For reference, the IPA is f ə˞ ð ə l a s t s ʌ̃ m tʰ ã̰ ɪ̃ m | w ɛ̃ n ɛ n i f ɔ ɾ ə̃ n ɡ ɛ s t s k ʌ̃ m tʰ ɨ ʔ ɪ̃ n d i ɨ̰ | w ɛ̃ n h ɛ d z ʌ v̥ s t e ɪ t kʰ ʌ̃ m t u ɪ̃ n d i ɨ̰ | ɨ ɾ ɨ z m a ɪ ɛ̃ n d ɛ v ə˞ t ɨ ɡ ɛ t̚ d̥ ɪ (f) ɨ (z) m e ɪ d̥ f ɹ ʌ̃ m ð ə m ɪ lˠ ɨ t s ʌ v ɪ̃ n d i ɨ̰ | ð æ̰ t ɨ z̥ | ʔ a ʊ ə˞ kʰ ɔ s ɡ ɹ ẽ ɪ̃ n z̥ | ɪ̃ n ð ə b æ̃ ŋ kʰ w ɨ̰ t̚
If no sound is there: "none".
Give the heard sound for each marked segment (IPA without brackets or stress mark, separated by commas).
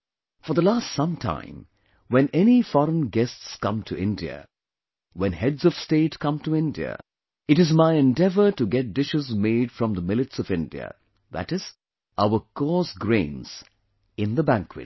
ʃ, z